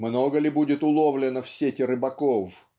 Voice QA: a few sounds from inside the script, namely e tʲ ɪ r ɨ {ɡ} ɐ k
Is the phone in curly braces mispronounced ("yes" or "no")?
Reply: yes